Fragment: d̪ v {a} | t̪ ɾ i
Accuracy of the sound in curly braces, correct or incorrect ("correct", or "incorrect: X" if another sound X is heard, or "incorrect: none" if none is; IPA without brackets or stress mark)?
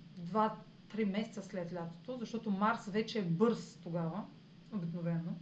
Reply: correct